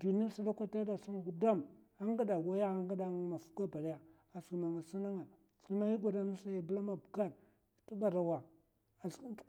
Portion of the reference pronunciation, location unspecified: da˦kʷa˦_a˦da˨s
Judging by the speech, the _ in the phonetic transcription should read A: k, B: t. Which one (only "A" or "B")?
B